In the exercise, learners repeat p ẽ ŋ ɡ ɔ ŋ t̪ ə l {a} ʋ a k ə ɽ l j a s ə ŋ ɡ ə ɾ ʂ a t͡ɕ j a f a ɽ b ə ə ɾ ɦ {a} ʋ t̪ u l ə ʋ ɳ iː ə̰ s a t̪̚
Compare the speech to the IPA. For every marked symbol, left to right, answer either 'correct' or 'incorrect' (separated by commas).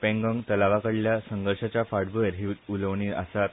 correct, incorrect